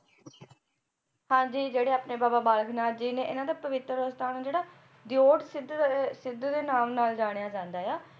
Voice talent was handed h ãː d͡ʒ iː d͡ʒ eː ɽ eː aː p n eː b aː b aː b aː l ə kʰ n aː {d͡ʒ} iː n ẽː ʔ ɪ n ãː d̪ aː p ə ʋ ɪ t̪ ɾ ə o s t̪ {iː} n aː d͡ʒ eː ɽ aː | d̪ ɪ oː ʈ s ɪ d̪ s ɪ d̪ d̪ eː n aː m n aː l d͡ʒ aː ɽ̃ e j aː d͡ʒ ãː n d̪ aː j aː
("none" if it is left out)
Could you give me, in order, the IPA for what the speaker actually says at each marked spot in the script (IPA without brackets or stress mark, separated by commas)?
d͡ʒ, aː